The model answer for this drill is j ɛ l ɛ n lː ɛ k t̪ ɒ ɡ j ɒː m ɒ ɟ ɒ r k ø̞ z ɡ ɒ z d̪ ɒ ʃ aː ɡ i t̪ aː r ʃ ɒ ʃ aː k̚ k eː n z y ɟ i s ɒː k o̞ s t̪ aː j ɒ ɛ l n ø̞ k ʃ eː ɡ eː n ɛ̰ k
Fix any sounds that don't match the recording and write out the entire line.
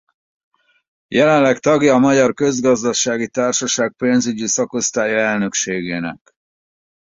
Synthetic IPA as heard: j ɛ l ɛ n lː ɛ k t̪ ɒ ɡ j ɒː m ɒ ɟ ɒ r k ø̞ z ɡ ɒ z d̪ ɒ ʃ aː ɡ i t̪ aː r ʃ ɒ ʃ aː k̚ p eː n z y ɟ i s ɒ k o̞ s t̪ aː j ɒ ɛ l n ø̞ k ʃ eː ɡ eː n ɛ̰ k